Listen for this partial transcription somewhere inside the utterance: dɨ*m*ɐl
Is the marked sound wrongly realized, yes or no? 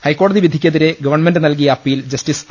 yes